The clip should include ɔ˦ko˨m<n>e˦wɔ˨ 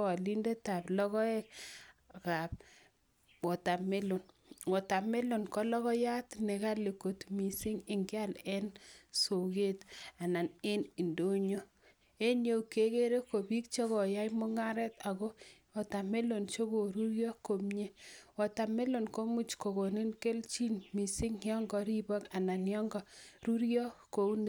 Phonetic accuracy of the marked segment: incorrect: ɲ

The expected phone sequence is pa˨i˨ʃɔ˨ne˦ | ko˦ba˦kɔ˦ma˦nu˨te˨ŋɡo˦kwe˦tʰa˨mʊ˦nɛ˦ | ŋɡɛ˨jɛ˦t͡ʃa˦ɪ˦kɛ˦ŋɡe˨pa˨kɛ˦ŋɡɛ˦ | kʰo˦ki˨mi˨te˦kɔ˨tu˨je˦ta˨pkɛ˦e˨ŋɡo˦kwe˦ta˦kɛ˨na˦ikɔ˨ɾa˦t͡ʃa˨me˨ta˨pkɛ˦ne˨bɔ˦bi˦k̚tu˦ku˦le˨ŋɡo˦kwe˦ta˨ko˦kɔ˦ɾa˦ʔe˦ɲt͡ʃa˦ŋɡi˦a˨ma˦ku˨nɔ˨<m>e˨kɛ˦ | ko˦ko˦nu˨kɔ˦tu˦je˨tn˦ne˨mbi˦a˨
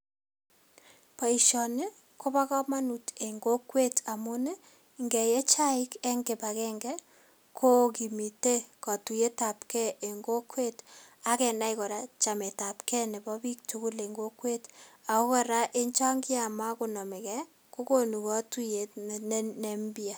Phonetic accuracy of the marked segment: correct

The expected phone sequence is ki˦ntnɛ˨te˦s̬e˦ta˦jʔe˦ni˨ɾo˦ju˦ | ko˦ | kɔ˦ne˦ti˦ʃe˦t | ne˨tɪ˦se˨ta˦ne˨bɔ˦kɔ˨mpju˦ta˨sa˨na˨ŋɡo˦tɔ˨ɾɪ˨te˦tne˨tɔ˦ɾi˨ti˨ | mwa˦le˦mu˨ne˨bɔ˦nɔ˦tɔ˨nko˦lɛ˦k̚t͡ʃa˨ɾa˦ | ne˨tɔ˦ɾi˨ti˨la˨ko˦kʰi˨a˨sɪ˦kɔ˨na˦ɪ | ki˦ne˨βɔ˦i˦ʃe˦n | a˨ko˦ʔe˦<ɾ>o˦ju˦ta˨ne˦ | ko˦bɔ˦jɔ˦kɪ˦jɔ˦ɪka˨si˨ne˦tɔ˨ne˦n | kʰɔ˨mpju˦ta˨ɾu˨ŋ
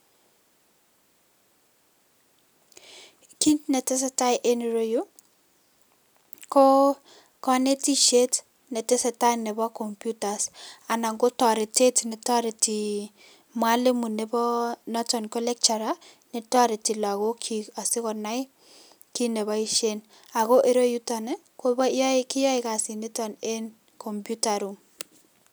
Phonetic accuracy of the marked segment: correct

